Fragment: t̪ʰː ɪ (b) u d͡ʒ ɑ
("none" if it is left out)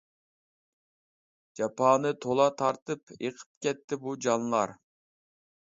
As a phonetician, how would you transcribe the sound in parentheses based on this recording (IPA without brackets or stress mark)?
b